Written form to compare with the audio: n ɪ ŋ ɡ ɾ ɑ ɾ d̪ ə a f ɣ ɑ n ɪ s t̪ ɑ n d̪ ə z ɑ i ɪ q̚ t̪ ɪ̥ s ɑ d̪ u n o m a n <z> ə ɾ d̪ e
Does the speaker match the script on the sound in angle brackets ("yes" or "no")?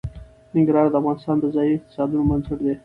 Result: yes